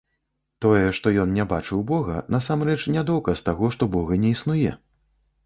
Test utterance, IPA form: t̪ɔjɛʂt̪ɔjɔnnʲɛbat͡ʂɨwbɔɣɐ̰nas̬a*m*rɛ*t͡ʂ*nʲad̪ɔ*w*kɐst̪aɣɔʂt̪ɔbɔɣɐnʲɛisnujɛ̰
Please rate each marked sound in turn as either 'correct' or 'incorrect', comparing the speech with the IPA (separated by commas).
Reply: correct, correct, correct